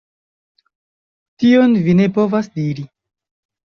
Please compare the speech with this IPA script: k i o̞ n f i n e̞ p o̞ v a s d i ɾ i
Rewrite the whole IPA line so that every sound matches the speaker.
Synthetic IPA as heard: t i o̞ n v i n e̞ p o̞ v a s d i ɾ i